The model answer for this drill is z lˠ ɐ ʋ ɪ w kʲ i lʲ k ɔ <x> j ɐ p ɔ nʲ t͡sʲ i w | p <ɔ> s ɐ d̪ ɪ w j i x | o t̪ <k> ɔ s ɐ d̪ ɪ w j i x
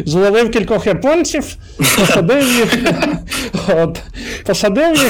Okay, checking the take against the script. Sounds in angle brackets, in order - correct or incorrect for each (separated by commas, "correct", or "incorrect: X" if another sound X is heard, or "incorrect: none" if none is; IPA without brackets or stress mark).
correct, correct, incorrect: p